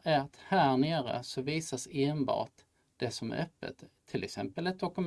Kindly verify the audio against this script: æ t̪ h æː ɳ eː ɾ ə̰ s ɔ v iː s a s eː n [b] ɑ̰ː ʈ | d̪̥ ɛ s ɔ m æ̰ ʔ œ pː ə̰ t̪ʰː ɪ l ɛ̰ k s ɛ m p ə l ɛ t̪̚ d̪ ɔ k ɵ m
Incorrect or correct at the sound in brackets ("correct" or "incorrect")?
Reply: correct